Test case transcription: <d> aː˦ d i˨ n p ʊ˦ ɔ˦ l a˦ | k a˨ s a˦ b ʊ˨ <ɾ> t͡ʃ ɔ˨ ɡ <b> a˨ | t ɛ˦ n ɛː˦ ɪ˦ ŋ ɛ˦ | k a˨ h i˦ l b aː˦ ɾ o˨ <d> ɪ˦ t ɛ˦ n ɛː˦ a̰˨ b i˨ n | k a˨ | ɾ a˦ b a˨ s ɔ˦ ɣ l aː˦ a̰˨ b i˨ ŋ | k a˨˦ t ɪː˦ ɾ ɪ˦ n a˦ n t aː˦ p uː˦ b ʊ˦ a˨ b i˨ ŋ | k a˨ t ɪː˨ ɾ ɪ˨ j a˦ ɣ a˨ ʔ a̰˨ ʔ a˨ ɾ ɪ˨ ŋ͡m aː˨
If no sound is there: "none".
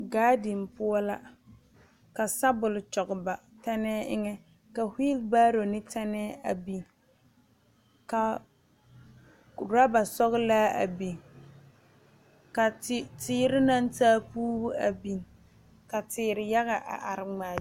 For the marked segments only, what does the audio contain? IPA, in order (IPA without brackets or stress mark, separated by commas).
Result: ɡ, l, b, n